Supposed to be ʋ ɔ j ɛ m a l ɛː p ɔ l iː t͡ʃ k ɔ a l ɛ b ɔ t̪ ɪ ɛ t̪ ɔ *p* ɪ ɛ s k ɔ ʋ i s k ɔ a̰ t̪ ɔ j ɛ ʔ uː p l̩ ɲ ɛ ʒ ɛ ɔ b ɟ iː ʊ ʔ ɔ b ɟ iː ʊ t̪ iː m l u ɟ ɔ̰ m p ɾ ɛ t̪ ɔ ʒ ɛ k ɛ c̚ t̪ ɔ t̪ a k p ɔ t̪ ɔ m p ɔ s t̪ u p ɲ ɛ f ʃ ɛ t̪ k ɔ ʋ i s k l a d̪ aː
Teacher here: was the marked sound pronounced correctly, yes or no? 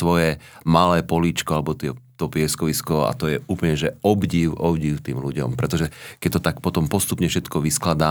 yes